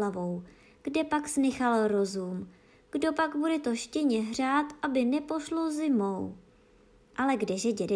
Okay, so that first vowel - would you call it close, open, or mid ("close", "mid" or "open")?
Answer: open